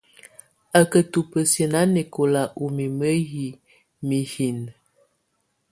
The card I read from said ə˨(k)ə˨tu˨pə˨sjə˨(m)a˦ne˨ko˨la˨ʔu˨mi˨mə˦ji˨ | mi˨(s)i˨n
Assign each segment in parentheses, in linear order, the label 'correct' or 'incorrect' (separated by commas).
correct, incorrect, incorrect